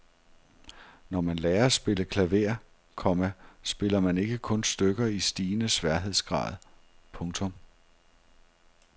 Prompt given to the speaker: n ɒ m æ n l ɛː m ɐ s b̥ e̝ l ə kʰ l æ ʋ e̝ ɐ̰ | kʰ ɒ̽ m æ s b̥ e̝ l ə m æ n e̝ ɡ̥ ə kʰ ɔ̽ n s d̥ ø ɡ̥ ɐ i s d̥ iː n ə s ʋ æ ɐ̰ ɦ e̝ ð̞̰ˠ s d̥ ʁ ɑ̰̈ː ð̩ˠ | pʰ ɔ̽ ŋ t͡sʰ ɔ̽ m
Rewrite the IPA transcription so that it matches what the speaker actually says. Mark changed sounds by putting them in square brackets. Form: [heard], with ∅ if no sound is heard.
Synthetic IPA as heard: n ɒ m æ n l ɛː [∅] ɐ s b̥ e̝ l ə kʰ l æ ʋ e̝ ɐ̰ | kʰ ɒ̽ m æ s b̥ e̝ l [ɐ] m æ n e̝ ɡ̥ ə kʰ ɔ̽ n s d̥ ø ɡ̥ ɐ i s d̥ iː n ə s ʋ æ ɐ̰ ɦ e̝ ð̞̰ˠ s [ɡ̥] ʁ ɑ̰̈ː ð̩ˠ | pʰ ɔ̽ ŋ t͡sʰ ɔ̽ m